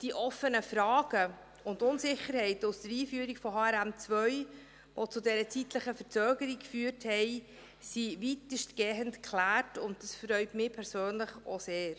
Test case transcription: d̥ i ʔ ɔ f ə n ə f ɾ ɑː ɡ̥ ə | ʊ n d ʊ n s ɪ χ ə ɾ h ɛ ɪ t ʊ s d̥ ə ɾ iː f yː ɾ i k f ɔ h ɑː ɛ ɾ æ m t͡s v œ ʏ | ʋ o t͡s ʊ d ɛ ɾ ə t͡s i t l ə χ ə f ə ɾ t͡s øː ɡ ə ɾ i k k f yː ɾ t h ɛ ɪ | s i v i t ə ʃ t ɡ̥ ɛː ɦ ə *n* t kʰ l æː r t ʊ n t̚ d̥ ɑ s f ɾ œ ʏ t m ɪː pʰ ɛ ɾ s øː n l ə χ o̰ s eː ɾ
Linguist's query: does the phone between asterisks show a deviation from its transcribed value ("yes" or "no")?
no